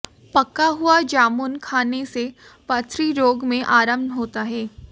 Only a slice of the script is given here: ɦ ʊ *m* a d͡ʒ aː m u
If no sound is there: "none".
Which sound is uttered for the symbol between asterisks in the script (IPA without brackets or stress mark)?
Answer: none